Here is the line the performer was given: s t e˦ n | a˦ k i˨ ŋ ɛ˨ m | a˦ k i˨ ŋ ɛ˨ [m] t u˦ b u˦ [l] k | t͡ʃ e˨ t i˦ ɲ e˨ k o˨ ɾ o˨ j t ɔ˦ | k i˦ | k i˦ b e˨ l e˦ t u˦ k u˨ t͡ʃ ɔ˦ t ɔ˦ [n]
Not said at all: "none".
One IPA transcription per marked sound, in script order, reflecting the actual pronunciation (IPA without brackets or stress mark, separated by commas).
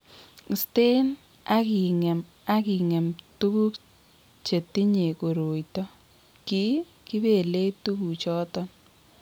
m, none, n